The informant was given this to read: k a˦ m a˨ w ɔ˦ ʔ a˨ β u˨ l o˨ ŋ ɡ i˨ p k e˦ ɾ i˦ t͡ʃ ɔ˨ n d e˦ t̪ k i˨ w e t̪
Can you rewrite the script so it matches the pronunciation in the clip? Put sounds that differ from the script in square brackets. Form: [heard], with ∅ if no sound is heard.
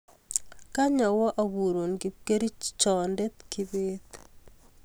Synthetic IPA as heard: k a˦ [ɲ] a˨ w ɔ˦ ʔ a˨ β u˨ [ɾ] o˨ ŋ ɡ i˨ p k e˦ ɾ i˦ t͡ʃ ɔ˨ n d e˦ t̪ k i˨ [β] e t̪